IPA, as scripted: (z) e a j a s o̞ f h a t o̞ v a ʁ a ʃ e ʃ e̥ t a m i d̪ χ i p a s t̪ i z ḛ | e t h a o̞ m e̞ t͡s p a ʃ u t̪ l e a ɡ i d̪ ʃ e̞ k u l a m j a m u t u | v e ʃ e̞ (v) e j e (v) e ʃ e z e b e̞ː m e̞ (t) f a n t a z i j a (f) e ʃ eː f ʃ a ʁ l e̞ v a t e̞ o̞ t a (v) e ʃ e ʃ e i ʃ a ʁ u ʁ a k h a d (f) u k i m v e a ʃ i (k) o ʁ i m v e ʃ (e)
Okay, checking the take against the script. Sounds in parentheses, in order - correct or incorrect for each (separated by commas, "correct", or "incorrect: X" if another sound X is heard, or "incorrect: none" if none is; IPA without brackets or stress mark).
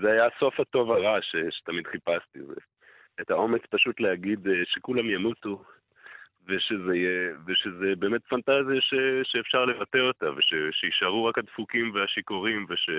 correct, incorrect: z, correct, correct, incorrect: ʃ, correct, correct, correct, correct